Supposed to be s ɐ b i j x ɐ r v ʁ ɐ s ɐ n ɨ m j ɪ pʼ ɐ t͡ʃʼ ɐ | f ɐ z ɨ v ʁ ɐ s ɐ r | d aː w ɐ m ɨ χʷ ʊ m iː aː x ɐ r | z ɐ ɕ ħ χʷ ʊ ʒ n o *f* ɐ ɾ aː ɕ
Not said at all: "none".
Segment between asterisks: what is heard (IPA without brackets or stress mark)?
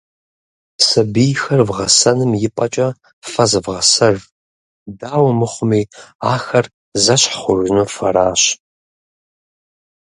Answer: f